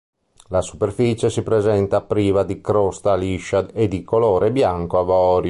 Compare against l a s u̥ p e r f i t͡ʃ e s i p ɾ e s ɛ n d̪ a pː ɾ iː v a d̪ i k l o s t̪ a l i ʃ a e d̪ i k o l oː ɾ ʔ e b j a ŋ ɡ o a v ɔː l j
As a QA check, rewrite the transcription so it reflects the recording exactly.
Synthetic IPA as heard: l a s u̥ p e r f i t͡ʃ e s i p ɾ e z ɛ n t̪ a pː ɾ iː v a d̪ i k ɾ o s t̪ a l i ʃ a e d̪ i k o l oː ɾ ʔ e b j a ŋ k o a v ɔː ɾ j